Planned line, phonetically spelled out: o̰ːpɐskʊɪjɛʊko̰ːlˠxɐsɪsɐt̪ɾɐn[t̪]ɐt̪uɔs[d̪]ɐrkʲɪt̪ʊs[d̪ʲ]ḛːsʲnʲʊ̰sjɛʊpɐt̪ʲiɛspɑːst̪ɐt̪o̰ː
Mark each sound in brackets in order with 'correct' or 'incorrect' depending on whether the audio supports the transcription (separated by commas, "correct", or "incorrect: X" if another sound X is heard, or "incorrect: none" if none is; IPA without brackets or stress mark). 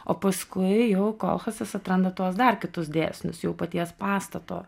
incorrect: d̪, correct, correct